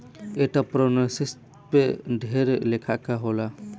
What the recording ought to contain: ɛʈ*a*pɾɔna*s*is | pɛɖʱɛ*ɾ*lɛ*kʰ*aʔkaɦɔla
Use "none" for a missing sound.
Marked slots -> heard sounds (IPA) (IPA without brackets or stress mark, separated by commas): a, s, ɾ, kʰ